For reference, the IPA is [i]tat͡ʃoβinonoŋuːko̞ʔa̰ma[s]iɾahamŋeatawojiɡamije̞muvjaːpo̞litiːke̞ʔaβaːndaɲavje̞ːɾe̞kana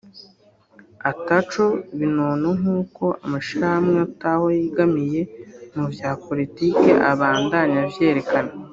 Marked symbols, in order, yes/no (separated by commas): no, no